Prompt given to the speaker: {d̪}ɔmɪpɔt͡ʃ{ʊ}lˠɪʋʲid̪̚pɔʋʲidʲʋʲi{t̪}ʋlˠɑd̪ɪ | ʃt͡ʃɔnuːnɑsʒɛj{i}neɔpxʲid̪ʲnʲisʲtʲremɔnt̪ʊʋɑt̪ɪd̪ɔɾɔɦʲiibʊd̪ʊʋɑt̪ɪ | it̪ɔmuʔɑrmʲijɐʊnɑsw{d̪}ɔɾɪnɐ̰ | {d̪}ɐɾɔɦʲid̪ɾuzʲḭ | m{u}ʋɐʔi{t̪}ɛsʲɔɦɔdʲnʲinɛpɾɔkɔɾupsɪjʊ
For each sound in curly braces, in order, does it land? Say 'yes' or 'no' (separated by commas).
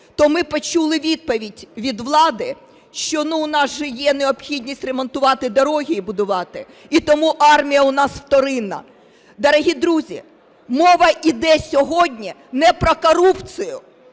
no, no, no, no, no, yes, no, no